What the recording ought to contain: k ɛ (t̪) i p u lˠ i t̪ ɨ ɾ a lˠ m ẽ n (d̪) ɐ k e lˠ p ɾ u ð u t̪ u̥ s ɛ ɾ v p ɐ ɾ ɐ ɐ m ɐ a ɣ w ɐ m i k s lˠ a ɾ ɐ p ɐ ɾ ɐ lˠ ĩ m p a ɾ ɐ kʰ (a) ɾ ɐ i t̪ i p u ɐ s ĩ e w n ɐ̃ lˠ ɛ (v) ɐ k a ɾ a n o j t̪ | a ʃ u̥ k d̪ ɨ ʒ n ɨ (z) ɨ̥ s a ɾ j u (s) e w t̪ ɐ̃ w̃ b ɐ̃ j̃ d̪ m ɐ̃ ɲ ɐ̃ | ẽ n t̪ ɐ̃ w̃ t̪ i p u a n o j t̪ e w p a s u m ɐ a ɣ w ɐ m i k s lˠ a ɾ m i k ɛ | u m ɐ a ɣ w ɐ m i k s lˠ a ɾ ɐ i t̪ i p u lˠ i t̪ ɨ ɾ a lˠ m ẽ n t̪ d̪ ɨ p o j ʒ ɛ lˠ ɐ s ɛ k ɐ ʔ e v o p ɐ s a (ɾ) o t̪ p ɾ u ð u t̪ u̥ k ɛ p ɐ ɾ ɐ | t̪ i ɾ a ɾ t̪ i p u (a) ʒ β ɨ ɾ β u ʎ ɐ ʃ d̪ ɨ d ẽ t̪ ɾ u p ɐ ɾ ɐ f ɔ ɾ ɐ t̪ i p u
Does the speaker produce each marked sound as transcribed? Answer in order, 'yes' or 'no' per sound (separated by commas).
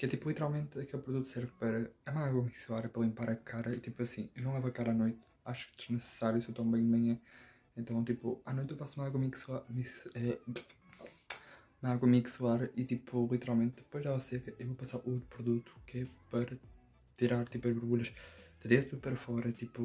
yes, no, yes, yes, no, yes, yes, no